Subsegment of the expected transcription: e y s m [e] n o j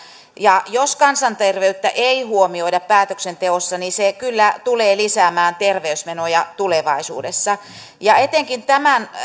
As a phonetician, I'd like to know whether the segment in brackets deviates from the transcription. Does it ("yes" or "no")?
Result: no